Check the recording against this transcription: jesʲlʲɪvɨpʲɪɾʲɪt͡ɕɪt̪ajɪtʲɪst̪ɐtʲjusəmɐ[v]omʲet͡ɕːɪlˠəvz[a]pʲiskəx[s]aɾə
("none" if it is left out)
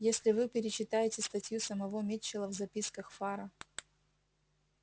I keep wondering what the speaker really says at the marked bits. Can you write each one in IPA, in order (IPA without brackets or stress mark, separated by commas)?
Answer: v, ɐ, f